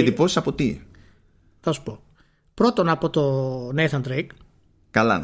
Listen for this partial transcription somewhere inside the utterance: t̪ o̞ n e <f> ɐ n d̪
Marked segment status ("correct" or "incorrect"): incorrect